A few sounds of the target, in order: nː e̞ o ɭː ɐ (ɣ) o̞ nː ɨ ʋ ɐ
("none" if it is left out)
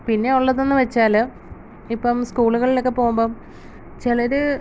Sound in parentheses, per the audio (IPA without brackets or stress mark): ð